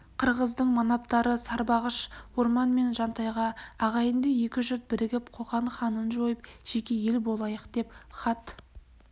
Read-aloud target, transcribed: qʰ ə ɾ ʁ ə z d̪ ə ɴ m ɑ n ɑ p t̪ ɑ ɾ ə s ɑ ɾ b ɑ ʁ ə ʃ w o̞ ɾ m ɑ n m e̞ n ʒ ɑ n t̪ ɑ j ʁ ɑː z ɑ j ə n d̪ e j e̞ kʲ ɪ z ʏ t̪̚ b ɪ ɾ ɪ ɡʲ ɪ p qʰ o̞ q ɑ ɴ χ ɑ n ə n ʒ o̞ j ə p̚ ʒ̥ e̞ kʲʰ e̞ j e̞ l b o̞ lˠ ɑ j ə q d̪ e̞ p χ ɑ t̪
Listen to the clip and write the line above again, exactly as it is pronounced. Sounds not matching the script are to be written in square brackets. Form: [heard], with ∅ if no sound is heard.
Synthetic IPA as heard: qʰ ə ɾ ʁ ə z d̪ ə ɴ m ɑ n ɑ p t̪ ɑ ɾ ə s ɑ ɾ b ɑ ʁ ə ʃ w o̞ ɾ m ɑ n m e̞ n ʒ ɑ n t̪ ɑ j ʁ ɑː [ʁ] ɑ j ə n d̪ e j e̞ kʲ ɪ [ʒ] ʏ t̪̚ b ɪ ɾ ɪ ɡʲ ɪ p qʰ o̞ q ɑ ɴ χ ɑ n ə n ʒ o̞ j ə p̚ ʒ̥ e̞ [kʲ] e̞ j e̞ l b o̞ lˠ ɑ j ə q d̪ e̞ p χ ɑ t̪